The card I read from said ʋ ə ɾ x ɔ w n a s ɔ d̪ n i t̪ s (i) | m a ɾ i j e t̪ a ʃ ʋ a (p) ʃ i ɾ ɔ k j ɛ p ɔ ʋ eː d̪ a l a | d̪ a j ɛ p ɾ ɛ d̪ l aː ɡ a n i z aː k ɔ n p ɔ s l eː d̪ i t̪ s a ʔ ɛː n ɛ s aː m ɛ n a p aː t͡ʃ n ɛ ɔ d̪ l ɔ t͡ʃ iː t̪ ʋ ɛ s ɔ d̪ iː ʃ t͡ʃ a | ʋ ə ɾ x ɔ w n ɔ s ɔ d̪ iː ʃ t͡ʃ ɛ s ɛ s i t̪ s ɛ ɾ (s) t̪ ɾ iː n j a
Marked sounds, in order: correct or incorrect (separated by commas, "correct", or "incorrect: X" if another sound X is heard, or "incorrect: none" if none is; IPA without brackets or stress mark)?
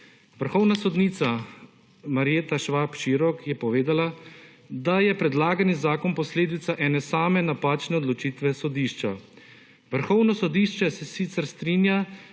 incorrect: a, correct, correct